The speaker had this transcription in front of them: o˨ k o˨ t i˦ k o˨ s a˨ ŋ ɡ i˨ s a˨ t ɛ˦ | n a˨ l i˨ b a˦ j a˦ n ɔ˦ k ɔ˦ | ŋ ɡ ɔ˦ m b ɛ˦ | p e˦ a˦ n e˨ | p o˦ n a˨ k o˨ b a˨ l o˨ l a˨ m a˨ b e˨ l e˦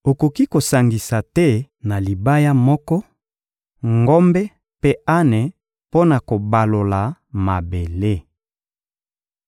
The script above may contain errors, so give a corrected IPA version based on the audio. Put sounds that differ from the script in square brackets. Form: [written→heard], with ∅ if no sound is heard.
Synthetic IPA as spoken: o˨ k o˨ [t→k] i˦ k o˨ s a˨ ŋ ɡ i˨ s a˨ t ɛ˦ | n a˨ l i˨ b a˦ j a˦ [n→m] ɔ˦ k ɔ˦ | ŋ ɡ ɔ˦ m b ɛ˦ | p e˦ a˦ n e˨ | p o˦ n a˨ k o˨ b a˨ l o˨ l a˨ m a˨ b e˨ l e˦